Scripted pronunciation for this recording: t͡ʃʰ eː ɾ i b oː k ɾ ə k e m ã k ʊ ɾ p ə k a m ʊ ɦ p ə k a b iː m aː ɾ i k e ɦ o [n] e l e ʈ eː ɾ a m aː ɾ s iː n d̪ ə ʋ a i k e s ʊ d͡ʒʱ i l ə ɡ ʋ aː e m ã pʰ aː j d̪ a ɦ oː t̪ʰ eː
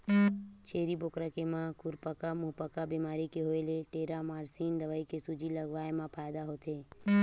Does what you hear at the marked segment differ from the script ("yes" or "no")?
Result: yes